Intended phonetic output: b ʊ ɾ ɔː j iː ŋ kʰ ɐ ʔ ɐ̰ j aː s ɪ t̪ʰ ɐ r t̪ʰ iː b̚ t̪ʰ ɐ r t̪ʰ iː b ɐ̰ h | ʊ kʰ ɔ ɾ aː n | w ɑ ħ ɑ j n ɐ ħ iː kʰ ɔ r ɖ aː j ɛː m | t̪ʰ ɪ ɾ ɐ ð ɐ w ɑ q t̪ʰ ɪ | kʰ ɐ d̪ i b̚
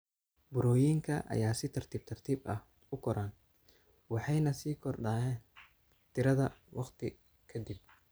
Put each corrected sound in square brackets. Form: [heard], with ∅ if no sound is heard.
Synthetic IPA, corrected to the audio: b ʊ ɾ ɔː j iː ŋ kʰ ɐ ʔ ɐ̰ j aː s ɪ t̪ʰ ɐ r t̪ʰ iː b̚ t̪ʰ ɐ r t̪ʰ iː b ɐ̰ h | ʊ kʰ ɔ ɾ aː n | w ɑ ħ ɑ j n ɐ [s] iː kʰ ɔ r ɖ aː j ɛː [n] | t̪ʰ ɪ ɾ ɐ ð ɐ w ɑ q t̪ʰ ɪ | kʰ ɐ d̪ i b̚